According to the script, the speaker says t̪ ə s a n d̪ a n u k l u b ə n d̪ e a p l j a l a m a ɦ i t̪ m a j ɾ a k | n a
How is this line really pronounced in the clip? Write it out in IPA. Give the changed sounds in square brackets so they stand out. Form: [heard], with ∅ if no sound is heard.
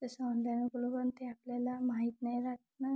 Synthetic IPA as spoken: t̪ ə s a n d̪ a n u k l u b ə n [t̪] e a p l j a l a m a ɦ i t̪ [n] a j ɾ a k | n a